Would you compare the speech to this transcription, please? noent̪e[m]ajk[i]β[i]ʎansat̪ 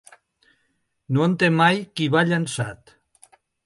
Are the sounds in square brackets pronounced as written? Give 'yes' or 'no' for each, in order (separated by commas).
yes, yes, no